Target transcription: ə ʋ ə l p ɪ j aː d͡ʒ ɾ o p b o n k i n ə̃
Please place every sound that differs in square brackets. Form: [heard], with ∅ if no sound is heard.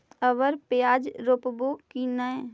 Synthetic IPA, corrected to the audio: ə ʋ ə [ɾ] p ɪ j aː d͡ʒ ɾ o p b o [∅] k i n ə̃